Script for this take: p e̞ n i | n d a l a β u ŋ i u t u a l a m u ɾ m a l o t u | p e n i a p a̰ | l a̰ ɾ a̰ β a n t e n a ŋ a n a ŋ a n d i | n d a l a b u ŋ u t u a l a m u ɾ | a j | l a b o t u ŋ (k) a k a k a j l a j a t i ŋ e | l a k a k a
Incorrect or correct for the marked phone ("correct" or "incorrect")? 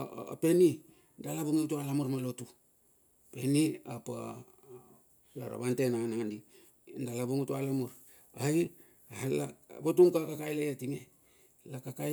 correct